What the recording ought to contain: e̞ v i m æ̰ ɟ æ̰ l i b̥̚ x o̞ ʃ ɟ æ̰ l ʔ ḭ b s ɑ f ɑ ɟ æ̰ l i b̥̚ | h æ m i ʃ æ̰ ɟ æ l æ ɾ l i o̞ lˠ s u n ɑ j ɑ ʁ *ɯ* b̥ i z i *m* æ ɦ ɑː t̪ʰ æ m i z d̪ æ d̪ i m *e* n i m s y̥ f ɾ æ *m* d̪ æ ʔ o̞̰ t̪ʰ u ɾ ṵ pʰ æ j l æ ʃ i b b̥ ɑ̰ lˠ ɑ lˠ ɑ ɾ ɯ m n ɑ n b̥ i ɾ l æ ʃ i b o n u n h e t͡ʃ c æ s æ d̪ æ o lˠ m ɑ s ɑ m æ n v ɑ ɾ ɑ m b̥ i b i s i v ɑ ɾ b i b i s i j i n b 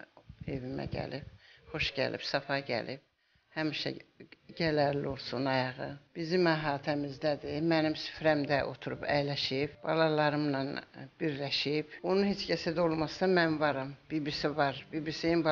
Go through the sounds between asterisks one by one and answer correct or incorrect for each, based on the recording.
correct, correct, incorrect, correct

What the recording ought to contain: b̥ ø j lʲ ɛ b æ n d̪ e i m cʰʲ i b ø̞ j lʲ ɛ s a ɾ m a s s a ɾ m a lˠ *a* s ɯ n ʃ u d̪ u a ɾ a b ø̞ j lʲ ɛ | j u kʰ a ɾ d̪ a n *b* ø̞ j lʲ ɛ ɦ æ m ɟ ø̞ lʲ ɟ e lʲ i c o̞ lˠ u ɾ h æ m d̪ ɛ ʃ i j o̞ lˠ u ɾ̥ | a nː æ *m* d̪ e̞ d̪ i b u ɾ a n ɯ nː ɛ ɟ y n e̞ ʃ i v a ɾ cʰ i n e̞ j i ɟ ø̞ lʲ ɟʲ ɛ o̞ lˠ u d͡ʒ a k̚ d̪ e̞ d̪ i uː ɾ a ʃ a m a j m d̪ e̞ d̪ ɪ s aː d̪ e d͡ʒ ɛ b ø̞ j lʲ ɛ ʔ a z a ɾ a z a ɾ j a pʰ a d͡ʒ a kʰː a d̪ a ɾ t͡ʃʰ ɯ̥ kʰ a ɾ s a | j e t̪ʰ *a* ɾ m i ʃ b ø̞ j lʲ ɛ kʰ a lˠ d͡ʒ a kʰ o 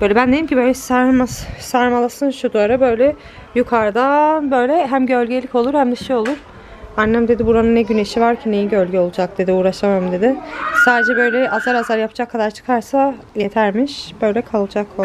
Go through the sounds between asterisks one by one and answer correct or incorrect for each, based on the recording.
correct, correct, correct, incorrect

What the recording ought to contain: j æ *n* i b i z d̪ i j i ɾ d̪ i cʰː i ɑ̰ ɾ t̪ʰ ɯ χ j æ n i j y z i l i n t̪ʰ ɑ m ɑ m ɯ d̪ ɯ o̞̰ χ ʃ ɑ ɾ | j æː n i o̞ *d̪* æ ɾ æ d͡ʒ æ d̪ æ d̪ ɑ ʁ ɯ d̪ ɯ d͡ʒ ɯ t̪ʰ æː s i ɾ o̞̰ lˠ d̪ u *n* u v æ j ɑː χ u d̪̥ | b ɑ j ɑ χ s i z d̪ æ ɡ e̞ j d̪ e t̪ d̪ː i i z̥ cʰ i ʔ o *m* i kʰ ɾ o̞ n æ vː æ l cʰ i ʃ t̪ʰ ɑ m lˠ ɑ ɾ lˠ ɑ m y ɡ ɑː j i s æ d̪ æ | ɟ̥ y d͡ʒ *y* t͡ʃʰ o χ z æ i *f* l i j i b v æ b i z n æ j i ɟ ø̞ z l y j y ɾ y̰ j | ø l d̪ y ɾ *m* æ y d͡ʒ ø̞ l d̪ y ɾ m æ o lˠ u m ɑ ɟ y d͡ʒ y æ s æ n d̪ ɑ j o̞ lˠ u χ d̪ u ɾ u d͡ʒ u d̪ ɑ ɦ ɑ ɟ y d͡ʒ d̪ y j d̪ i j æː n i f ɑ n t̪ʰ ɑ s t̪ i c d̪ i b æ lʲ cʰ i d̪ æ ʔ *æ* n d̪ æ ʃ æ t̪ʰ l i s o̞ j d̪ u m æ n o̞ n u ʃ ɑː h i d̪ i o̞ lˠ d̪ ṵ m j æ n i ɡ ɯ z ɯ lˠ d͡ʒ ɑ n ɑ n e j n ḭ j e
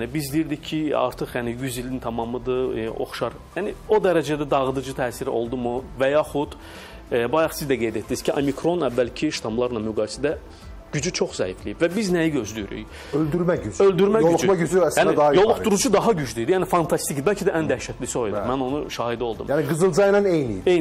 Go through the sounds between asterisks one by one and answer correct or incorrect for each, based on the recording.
correct, correct, incorrect, correct, correct, correct, correct, correct

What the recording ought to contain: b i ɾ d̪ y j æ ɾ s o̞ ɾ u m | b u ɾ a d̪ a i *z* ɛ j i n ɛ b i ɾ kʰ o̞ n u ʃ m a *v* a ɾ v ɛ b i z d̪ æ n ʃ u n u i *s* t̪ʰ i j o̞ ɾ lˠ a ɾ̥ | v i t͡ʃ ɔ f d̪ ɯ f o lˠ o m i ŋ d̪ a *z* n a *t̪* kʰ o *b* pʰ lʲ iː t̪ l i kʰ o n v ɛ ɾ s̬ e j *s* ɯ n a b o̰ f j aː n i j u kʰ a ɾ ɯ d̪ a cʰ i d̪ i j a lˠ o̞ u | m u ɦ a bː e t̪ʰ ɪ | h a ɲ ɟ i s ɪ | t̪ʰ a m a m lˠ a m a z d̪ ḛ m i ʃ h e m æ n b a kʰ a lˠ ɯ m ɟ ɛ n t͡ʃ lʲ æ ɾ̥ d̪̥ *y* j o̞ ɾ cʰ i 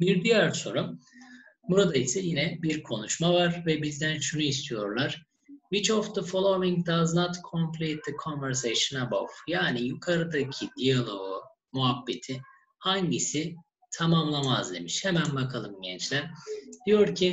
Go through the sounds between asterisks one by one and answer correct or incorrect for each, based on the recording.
incorrect, correct, correct, correct, correct, incorrect, incorrect, incorrect

